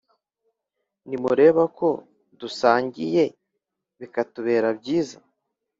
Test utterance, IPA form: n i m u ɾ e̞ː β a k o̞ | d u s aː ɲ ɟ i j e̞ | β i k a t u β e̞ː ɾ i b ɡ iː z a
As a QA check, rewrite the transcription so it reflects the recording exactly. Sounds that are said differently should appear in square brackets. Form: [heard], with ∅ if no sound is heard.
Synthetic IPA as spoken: n i m u ɾ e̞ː β a k o̞ | d u s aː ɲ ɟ i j e̞ | β i k a t u β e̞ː ɾ [a] b [ɟ] iː z a